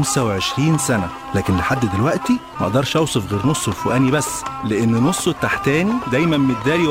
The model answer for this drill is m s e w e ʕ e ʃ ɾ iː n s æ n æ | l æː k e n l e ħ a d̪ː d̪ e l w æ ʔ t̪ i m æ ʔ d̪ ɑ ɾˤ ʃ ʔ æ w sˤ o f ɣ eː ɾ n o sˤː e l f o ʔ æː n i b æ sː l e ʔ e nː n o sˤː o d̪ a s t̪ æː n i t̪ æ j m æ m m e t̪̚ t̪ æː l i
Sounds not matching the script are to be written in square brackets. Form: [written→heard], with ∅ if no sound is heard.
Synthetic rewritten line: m s [e→æ] w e ʕ e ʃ ɾ iː n s æ n æ | l æː k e n l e ħ a d̪ː d̪ e l w æ ʔ t̪ i m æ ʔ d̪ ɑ ɾˤ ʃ ʔ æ w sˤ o f ɣ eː ɾ n o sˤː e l f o ʔ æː n i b æ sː l e ʔ e nː n o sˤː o [d̪→t̪] a [s→ħ] t̪ æː n i [t̪→d̪] æ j m æ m m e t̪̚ [t̪→d̪] æː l i